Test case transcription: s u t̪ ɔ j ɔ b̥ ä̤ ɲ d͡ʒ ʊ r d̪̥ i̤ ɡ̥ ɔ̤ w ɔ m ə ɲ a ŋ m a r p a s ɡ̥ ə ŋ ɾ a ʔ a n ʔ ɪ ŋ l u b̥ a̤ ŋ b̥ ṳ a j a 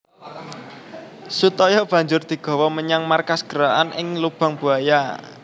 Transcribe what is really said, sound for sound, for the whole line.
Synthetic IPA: s u t̪ ɔ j ɔ b̥ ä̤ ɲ d͡ʒ ʊ r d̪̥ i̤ ɡ̥ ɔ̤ w ɔ m ə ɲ a ŋ m a r k a s ɡ̥ ə ɾ a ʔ a n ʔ ɪ ŋ l u b̥ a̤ ŋ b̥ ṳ a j a